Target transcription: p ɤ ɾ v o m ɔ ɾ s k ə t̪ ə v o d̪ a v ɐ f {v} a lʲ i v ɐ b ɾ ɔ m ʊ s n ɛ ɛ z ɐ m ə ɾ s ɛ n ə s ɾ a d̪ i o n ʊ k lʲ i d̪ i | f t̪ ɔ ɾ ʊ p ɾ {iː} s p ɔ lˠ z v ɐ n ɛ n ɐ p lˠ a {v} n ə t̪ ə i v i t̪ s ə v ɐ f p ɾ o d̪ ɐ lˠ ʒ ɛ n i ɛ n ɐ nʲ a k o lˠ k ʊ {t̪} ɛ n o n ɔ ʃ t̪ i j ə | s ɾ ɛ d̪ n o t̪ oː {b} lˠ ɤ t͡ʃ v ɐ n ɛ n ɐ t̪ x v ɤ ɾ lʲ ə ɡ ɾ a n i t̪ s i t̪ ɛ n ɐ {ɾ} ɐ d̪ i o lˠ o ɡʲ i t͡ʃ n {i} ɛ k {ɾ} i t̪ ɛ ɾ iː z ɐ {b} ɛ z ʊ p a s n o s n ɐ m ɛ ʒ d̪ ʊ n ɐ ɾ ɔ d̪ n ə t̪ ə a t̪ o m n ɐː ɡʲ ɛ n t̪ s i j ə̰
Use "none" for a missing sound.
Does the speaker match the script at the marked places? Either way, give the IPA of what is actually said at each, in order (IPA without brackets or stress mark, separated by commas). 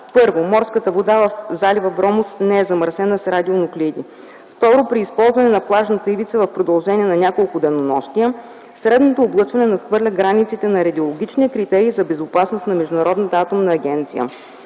z, iː, ʒ, d̪, b, ɾ, i, ɾ, b